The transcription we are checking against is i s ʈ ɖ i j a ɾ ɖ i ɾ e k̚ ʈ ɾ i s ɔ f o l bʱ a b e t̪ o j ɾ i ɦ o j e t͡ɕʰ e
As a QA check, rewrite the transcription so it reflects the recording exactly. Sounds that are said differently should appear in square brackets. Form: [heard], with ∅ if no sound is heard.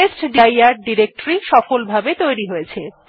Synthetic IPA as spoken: [e] s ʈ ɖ i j a ɾ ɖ i ɾ e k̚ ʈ ɾ i [ʃ] ɔ f o l bʱ a b e t̪ o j ɾ i ɦ o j e t͡ɕʰ e